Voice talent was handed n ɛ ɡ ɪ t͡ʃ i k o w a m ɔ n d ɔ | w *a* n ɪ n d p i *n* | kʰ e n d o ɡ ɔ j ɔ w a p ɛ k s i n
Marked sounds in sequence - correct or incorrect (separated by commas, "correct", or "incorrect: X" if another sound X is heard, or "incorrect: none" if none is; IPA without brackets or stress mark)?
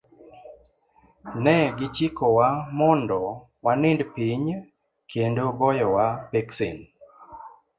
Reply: correct, incorrect: ɲ